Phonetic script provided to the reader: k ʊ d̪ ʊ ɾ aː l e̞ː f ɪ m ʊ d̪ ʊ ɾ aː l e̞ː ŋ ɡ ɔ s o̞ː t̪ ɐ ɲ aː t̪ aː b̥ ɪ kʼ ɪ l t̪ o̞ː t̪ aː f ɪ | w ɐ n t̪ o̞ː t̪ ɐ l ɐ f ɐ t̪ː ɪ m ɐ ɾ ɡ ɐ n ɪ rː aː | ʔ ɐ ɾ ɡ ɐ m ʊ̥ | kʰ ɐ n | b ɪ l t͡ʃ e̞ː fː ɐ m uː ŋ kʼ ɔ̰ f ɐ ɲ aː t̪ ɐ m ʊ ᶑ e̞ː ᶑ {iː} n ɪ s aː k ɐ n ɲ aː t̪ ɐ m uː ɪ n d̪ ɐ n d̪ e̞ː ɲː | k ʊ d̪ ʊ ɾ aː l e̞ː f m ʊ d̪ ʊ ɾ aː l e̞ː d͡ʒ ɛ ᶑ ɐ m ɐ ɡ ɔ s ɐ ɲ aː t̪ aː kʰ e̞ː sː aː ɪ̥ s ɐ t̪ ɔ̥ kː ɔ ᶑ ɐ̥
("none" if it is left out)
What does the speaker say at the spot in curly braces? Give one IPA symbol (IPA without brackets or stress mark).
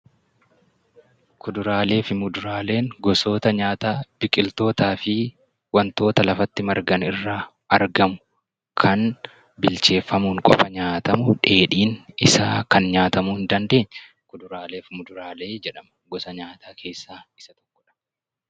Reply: iː